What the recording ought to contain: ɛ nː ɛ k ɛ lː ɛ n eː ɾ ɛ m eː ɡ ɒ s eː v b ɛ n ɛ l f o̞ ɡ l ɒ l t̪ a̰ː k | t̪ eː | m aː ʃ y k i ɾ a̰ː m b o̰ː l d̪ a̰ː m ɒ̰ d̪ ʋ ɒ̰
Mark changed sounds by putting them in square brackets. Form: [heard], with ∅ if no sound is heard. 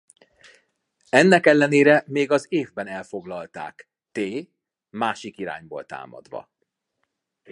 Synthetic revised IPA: ɛ nː ɛ k ɛ lː ɛ n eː ɾ ɛ m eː ɡ ɒ [z] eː v b ɛ n ɛ l f o̞ ɡ l ɒ l t̪ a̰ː k | t̪ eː | m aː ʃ [i] k i ɾ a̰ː [ɲ] b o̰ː l [t̪] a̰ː m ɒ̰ d̪ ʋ ɒ̰